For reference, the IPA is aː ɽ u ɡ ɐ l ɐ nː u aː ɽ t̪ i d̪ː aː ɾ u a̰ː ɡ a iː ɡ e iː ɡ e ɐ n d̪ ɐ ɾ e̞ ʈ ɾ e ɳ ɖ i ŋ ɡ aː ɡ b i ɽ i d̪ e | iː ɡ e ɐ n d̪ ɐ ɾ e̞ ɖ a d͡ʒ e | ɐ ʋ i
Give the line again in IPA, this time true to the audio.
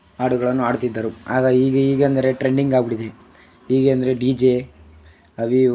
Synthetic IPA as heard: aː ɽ u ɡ ɐ ɭ ɐ nː u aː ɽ t̪ i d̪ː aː ɾ u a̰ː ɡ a iː ɡ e iː ɡ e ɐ n d̪ ɐ ɾ e̞ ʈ ɾ e ɳ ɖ i ŋ ɡ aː ɡ b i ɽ i d̪ e | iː ɡ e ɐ n d̪ ɐ ɾ e̞ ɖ i d͡ʒ e | ɐ ʋ i